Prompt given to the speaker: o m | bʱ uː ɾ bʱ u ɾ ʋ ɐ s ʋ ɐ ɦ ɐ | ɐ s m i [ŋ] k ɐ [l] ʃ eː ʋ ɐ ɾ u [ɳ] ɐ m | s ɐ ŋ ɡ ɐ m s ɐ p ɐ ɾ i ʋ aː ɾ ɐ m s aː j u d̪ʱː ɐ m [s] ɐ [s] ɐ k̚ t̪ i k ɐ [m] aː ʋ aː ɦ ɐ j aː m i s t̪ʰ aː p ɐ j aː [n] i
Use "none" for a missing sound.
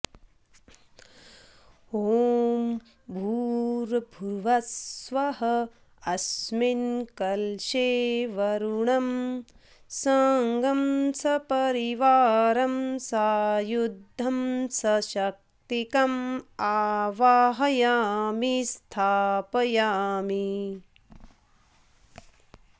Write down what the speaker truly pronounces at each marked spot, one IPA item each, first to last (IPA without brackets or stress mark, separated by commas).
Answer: n, l, ɳ, s, ʃ, m, m